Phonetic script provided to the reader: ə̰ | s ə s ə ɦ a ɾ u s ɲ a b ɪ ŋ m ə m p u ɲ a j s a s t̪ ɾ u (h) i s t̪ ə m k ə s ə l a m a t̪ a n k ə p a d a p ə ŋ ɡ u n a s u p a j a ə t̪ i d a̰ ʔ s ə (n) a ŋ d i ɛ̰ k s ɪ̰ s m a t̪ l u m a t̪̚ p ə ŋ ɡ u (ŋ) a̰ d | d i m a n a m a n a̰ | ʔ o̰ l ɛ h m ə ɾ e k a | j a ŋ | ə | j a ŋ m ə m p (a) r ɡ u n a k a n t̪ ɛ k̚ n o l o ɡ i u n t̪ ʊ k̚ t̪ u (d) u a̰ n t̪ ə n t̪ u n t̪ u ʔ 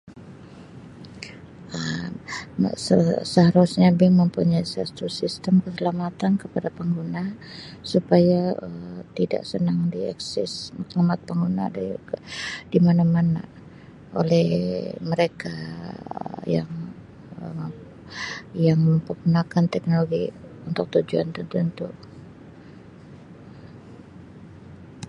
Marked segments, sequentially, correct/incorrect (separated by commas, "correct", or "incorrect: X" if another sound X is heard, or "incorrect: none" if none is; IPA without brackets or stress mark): incorrect: s, correct, incorrect: n, incorrect: ə, incorrect: d͡ʒ